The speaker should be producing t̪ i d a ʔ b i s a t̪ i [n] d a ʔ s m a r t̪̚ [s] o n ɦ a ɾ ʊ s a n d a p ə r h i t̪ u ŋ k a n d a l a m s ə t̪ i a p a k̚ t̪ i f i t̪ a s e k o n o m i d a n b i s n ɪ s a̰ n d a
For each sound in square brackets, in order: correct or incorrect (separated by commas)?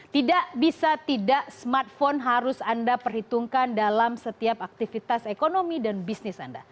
incorrect, incorrect